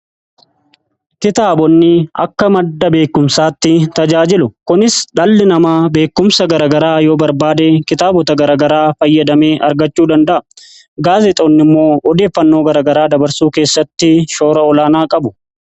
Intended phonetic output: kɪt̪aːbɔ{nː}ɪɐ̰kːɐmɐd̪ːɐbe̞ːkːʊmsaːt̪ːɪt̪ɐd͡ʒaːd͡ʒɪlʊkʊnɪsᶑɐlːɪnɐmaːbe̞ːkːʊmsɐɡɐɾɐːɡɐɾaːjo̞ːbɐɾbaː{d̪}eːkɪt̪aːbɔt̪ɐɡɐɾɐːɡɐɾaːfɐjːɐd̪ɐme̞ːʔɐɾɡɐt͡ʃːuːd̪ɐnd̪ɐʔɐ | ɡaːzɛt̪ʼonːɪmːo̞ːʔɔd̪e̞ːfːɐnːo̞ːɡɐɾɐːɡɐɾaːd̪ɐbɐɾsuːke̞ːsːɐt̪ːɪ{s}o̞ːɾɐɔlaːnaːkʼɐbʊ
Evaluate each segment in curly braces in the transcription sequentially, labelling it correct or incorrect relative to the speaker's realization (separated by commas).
correct, correct, incorrect